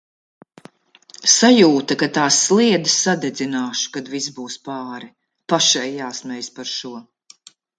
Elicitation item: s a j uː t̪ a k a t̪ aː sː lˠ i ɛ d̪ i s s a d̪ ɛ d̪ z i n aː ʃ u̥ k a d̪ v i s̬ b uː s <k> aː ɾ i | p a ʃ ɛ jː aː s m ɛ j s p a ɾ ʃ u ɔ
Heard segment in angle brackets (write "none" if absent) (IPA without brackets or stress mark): p